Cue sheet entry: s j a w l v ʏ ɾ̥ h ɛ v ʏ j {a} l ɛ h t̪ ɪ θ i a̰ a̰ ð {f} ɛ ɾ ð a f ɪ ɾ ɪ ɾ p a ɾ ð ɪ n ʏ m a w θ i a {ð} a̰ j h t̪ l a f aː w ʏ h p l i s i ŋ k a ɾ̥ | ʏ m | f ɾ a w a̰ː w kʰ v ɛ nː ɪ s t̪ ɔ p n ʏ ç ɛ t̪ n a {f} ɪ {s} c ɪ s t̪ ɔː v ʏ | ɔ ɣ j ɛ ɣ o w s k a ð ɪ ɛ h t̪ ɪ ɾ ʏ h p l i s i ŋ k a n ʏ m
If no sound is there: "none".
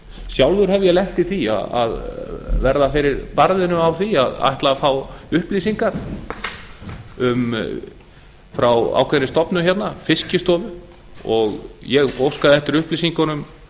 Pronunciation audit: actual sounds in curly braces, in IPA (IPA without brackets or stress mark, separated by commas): ɛ, v, ð, f, s